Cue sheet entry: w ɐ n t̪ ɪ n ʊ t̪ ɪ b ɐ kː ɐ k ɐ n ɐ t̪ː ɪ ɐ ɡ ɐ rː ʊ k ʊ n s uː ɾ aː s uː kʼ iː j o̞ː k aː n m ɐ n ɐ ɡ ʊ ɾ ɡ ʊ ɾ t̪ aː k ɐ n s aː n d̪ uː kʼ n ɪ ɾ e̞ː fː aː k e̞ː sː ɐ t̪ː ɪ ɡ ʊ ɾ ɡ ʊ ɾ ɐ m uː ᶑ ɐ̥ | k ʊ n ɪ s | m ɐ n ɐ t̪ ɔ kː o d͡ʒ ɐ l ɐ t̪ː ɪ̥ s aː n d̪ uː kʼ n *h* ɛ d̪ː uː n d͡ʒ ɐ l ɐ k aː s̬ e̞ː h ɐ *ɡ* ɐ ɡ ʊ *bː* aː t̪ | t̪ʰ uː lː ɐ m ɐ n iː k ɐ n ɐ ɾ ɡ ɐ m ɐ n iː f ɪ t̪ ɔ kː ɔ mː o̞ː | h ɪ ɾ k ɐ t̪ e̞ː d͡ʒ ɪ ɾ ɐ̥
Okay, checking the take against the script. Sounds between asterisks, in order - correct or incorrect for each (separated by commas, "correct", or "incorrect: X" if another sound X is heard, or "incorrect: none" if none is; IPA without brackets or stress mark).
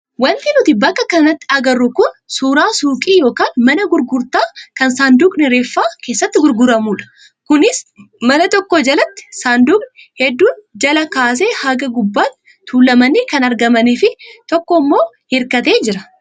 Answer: correct, correct, correct